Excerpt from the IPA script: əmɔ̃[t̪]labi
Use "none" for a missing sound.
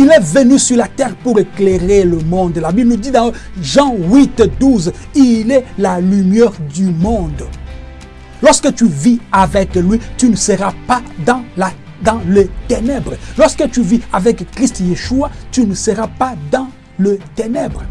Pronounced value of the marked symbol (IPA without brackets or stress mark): d̪